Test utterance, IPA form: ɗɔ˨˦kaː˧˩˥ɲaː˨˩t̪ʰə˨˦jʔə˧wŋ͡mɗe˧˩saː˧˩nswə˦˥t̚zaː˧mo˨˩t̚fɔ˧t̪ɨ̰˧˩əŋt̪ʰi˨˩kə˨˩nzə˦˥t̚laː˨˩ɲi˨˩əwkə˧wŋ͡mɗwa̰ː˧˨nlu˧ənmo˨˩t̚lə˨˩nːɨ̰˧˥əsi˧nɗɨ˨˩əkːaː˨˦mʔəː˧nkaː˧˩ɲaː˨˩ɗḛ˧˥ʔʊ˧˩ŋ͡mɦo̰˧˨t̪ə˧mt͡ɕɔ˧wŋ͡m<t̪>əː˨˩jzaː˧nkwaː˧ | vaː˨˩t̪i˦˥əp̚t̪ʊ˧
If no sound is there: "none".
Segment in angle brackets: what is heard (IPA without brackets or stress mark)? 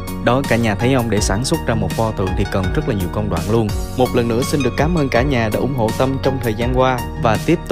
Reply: t̪ʰ